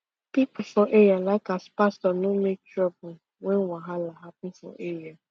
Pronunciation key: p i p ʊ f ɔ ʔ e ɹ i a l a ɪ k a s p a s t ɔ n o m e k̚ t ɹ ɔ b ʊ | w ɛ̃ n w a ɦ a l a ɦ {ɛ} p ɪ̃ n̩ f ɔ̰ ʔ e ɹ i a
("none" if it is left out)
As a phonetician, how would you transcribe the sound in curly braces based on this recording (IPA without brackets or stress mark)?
a